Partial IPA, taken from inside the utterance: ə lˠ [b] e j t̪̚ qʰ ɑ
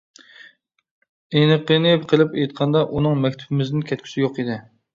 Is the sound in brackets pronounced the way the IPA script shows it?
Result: no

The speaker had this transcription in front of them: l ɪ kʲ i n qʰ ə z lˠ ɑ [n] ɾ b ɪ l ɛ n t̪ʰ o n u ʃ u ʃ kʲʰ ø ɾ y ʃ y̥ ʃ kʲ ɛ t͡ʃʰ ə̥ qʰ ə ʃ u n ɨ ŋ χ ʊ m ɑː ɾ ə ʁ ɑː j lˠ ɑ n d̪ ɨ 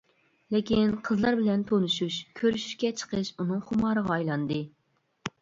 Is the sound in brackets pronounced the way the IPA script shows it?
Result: no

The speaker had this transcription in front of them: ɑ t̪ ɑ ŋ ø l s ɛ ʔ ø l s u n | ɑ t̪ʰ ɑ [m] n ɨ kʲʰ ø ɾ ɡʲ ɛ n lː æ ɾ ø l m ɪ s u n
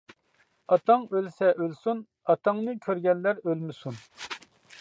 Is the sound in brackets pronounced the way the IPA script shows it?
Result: no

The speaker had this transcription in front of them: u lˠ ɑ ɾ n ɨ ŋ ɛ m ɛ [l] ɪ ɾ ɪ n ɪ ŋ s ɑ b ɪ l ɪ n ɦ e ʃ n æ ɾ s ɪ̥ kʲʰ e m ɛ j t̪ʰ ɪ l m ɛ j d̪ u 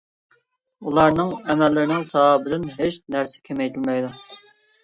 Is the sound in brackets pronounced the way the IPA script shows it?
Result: no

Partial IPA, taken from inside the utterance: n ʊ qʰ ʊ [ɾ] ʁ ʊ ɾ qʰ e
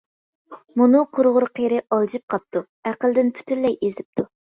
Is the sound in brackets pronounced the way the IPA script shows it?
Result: yes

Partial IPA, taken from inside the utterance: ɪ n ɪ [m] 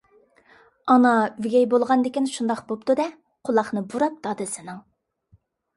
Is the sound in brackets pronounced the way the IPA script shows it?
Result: no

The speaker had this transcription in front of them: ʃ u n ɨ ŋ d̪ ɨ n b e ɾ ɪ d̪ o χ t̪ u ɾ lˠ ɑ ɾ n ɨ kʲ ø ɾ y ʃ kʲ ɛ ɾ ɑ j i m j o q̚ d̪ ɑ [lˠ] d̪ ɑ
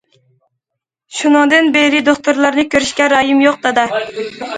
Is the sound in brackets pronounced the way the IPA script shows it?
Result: no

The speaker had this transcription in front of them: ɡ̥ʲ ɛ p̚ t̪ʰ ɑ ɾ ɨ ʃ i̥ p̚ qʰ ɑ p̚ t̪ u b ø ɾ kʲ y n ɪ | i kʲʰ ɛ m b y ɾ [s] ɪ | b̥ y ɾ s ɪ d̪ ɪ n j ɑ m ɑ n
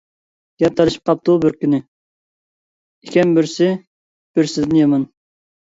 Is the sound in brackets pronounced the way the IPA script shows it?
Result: yes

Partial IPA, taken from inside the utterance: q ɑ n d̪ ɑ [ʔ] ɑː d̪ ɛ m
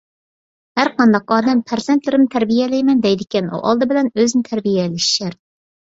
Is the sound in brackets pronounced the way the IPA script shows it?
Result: no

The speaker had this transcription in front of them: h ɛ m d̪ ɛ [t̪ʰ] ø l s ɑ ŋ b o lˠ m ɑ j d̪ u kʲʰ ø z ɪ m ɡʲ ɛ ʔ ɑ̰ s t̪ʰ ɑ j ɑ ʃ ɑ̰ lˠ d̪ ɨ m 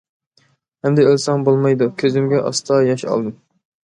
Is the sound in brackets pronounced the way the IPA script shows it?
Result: no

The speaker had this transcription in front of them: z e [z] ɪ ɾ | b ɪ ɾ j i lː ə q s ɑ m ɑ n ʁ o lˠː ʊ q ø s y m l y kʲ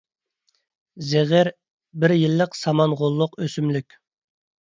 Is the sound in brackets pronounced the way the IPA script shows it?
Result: no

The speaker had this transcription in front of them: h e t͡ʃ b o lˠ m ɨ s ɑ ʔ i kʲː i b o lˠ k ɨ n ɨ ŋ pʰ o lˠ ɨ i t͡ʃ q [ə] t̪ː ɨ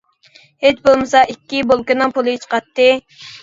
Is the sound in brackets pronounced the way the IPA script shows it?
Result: no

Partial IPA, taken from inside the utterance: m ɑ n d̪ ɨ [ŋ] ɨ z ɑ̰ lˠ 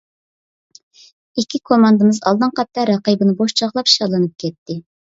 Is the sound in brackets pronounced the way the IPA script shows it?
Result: no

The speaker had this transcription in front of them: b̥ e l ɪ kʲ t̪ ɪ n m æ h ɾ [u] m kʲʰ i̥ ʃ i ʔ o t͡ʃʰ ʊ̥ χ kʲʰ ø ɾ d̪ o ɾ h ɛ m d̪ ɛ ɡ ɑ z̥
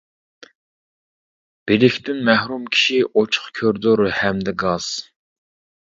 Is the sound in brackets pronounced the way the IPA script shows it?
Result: yes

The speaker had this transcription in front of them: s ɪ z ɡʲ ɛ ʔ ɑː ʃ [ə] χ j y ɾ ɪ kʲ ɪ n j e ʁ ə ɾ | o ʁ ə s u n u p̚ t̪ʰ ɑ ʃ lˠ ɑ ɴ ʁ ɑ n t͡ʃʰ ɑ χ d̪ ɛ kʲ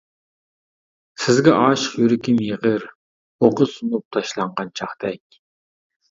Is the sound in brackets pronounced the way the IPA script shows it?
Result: yes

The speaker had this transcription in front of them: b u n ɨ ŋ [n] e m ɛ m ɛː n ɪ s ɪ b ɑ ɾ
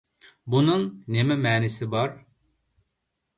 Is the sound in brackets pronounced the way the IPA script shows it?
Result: yes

